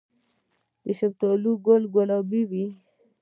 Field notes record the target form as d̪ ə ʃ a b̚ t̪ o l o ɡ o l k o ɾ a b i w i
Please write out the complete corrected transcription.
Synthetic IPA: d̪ ə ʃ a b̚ t̪ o l u ɡ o l ɡ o l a b i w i

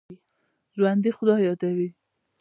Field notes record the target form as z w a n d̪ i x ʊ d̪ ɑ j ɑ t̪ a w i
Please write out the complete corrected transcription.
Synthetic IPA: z w a n d̪ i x ʊ d̪ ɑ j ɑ d̪ a w i

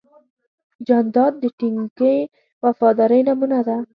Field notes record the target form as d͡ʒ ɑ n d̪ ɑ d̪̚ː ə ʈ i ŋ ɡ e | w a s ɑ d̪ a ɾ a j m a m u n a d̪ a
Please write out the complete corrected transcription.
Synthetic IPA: d͡ʒ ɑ n d̪ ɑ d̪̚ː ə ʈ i ŋ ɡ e | w a f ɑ d̪ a ɾ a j n a m u n a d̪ a

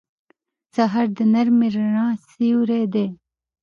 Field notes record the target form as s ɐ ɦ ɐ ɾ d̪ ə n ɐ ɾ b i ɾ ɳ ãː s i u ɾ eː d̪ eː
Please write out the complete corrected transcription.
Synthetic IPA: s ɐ ɦ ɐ ɾ d̪ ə n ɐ ɾ m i ɾ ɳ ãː s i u ɾ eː d̪ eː

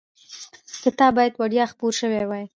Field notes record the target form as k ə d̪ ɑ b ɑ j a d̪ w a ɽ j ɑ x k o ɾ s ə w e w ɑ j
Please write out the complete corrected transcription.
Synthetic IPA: k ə t̪ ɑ b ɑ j a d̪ w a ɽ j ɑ x p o ɾ ʃ ə w e w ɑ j

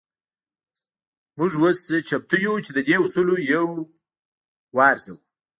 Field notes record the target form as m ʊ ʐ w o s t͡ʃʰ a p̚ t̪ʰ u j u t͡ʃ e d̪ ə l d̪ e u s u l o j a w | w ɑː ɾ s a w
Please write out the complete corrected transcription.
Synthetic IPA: m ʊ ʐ w o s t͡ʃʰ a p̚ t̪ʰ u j u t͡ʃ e d̪ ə d̪ e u s u l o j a w | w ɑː ɾ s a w

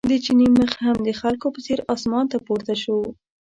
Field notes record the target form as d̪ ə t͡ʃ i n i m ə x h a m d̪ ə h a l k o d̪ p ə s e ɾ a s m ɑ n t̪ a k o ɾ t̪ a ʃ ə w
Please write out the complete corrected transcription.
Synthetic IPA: d̪ ə t͡ʃ i n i m ə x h a m d̪ ə x a l k o p ə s e ɾ ɑ s m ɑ n t̪ a p o ɾ t̪ a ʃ ə w

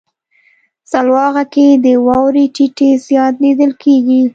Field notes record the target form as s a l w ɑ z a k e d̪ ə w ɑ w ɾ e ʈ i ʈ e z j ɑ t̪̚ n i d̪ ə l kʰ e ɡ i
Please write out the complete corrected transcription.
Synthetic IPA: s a l w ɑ ɣ a k e d̪ ə w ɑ w ɾ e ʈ i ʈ e z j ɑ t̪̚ n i d̪ ə l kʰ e ɡ i

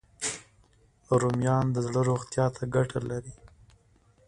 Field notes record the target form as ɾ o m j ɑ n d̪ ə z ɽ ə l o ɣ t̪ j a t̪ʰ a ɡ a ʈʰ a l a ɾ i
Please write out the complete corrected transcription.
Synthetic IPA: ɾ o m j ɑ n d̪ ə z ɽ ə ɾ o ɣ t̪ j ɑ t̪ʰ a ɡ a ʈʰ a l a ɾ i

